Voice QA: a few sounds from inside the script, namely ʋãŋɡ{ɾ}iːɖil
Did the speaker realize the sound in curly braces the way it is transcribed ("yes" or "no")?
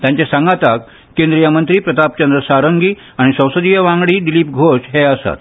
no